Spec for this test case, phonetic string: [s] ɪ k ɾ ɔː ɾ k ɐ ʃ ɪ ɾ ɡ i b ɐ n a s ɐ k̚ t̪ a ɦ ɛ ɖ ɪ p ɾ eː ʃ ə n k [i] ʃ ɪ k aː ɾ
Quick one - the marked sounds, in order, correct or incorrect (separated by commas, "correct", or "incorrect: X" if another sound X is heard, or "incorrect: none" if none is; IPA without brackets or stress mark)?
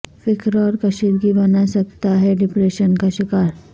incorrect: f, incorrect: a